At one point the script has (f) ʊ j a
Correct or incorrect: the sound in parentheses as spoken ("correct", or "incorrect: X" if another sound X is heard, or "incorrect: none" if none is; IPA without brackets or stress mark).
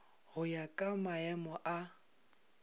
incorrect: h